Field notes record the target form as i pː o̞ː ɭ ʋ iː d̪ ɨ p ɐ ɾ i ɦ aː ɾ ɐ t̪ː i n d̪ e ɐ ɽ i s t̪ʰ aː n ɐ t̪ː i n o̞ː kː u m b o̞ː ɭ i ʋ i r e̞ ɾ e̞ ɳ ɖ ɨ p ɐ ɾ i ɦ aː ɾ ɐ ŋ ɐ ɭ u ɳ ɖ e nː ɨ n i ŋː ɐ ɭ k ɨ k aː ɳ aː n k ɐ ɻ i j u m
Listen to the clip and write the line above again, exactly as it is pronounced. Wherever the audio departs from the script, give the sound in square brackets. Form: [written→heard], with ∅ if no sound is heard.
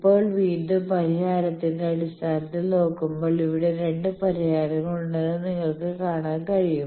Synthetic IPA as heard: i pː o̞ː ɭ ʋ iː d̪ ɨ p ɐ ɾ i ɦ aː ɾ ɐ t̪ː i n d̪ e ɐ ɽ i s t̪ʰ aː n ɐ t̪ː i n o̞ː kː u m b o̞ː ɭ i ʋ i [r→ɽ] e̞ ɾ e̞ ɳ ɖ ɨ p ɐ ɾ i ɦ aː ɾ ɐ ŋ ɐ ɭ u ɳ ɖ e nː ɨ n i ŋː ɐ ɭ k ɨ k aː ɳ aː n k ɐ ɻ i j u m

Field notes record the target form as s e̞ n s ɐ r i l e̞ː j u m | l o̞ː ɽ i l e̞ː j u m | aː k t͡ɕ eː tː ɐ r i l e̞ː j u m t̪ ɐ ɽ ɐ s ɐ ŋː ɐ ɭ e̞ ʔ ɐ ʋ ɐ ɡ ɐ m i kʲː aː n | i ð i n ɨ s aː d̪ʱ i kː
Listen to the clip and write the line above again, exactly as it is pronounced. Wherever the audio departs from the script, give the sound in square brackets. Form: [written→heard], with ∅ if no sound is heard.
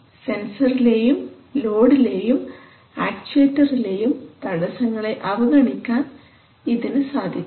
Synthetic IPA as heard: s e̞ n s ɐ r i l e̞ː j u m | l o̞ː ɽ i l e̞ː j u m | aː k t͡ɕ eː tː ɐ r i l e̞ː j u m t̪ ɐ ɽ ɐ s ɐ ŋː ɐ ɭ e̞ ʔ ɐ ʋ ɐ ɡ ɐ [m→ɳ] i kʲː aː n | i ð i n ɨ s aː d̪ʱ i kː

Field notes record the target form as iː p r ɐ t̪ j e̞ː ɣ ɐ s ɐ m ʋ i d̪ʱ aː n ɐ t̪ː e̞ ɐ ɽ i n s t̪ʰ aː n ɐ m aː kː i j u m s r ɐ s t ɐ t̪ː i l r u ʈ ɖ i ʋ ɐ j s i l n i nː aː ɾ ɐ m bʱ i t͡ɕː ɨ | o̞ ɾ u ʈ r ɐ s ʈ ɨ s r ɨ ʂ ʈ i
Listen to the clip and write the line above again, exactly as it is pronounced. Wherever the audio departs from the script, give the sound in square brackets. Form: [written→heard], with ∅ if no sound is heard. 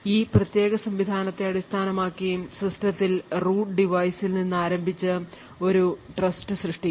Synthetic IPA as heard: iː p r ɐ t̪ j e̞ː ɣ ɐ s ɐ m ʋ i d̪ʱ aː n ɐ t̪ː e̞ ɐ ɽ i [n→∅] s t̪ʰ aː n ɐ m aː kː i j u m s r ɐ s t ɐ t̪ː i l r [u→uː] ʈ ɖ i ʋ ɐ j s i l n i nː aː ɾ ɐ m bʱ i t͡ɕː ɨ | o̞ ɾ u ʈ r ɐ s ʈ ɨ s r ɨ ʂ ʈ i

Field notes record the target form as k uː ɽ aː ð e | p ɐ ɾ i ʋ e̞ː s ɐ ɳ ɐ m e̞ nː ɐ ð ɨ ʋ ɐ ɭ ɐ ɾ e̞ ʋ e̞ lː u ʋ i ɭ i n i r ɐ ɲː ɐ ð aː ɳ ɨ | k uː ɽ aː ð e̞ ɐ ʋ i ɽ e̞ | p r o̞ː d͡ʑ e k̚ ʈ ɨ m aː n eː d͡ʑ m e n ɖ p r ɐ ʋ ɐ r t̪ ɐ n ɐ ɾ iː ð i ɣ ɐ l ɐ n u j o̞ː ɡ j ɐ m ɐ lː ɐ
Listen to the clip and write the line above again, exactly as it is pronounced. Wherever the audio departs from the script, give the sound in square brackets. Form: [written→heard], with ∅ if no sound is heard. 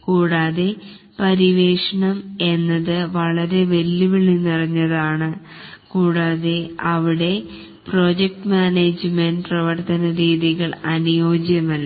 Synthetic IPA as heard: k uː ɽ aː ð e | p ɐ ɾ i ʋ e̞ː [s→ʂ] ɐ ɳ ɐ m e̞ nː ɐ ð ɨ ʋ ɐ ɭ ɐ ɾ e̞ ʋ e̞ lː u ʋ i ɭ i n i r ɐ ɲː ɐ ð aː ɳ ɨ | k uː ɽ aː ð e̞ ɐ ʋ i ɽ e̞ | p r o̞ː d͡ʑ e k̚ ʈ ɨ m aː n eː d͡ʑ m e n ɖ p r ɐ ʋ ɐ r t̪ ɐ n ɐ ɾ iː ð i ɣ ɐ [l→ɭ] ɐ n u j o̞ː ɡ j ɐ m ɐ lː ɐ

